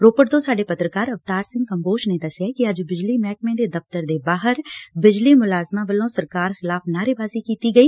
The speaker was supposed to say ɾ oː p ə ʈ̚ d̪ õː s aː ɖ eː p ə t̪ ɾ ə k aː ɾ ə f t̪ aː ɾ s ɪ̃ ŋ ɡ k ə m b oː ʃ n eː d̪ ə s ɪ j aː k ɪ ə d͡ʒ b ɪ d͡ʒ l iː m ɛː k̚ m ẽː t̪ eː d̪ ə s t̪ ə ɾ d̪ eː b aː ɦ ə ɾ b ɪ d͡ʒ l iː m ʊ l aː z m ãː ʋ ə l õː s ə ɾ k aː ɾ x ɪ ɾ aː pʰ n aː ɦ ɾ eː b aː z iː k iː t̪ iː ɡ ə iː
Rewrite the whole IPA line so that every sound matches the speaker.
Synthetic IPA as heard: ɾ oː p ə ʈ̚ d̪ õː s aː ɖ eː p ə t̪ ɾ ə k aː ɾ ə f t̪ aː ɾ s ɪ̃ ŋ ɡ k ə m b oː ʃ n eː d̪ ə s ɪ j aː k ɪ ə d͡ʒ b ɪ d͡ʒ l iː m ɛː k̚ m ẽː d̪ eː d̪ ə f t̪ ə ɾ d̪ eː b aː ɦ ə ɾ b ɪ d͡ʒ l iː m ʊ l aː z m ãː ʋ ə l õː s ə ɾ k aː ɾ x ɪ l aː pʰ n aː ɾ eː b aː z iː k iː t̪ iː ɡ ə iː